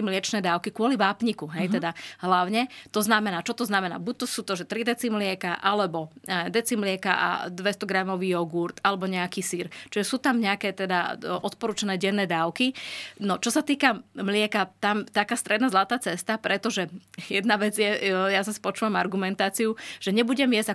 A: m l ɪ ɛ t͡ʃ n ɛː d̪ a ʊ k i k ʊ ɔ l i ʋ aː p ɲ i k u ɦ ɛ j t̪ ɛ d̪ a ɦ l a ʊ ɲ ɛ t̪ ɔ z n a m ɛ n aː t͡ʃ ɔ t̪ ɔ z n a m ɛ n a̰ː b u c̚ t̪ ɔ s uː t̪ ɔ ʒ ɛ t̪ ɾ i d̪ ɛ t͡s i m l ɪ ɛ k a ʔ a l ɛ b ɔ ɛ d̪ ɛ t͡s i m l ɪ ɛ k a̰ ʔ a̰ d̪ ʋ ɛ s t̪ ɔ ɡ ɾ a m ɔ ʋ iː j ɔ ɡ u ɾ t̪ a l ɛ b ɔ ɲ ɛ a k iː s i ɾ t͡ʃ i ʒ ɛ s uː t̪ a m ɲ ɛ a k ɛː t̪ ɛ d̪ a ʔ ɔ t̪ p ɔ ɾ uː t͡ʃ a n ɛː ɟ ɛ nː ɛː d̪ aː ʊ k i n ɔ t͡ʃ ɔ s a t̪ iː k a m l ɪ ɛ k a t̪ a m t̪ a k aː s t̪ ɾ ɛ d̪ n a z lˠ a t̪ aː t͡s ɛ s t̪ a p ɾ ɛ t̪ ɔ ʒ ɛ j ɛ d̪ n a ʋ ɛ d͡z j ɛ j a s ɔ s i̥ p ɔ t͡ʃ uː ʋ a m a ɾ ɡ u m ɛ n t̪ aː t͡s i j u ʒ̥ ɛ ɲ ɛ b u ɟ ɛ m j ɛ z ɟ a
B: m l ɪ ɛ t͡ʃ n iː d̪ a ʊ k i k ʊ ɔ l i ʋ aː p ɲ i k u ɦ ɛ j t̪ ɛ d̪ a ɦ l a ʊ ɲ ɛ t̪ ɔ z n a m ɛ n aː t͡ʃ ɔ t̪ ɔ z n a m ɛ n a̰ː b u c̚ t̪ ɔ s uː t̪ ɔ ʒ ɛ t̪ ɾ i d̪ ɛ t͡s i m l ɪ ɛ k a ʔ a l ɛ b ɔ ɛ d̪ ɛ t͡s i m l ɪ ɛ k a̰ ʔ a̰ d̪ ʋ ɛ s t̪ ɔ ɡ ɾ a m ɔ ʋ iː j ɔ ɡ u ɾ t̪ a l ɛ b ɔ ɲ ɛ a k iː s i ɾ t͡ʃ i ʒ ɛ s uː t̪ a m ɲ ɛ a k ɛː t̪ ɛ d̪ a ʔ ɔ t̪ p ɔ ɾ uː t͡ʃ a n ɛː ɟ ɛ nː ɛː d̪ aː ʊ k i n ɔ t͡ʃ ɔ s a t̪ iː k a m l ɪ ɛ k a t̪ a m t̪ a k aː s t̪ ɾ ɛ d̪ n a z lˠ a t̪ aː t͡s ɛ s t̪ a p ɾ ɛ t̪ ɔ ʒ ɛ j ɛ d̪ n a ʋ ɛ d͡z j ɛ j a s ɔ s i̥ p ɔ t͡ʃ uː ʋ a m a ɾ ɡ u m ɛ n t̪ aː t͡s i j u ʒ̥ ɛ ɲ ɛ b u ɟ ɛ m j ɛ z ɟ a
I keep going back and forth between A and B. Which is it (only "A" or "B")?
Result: A